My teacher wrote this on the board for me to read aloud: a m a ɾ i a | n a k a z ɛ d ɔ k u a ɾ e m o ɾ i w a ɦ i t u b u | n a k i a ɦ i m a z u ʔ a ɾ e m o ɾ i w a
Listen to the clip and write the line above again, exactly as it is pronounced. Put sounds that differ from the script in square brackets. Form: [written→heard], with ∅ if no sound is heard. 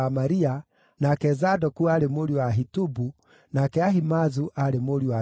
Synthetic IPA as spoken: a m a ɾ i a | n a k [a→ɛ] z [ɛ→a] d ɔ k u a ɾ e m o ɾ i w a ɦ i t u b u | n a k [i→ɛ] a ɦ i m a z u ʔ a ɾ e m o ɾ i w a